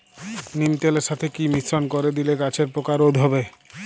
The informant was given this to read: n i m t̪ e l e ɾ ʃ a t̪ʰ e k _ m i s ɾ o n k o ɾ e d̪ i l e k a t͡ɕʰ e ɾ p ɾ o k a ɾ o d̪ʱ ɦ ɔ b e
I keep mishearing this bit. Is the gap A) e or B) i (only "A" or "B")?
B